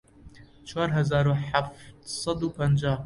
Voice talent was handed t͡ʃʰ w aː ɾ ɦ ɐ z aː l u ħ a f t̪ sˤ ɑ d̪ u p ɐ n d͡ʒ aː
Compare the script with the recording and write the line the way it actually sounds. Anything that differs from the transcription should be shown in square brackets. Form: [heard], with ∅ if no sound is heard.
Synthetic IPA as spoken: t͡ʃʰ w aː ɾ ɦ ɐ z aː [ɾ] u ħ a f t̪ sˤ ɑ d̪ u p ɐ n d͡ʒ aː